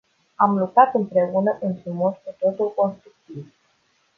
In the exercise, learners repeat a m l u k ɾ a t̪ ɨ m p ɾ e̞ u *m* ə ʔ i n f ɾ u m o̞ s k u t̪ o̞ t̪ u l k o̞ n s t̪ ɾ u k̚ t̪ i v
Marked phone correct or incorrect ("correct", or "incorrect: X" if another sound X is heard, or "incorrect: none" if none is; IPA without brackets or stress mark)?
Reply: incorrect: n